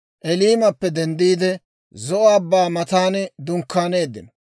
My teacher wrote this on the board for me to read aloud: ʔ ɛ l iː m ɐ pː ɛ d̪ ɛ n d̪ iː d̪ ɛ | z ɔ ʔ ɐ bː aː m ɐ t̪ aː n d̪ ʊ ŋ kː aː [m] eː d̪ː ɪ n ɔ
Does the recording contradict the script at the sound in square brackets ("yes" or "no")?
yes